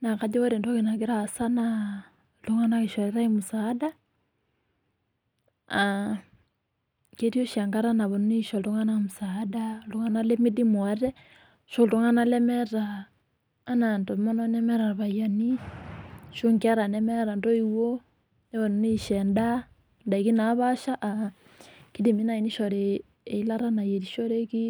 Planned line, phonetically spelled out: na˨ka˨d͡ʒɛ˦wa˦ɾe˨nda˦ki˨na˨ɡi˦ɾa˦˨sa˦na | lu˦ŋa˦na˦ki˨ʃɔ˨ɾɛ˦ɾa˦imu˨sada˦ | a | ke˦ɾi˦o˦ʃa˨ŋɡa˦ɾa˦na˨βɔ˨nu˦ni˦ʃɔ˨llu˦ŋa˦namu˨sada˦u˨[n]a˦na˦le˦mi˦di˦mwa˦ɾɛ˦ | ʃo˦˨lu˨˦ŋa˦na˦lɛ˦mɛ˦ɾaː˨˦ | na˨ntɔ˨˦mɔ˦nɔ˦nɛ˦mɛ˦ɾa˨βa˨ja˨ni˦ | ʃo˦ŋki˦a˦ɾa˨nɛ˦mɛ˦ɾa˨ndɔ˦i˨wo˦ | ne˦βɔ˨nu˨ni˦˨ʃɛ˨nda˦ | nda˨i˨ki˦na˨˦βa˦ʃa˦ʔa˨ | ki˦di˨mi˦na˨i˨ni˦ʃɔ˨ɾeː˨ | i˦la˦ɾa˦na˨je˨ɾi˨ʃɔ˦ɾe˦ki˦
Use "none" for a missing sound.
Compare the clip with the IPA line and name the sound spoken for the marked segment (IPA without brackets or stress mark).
ŋ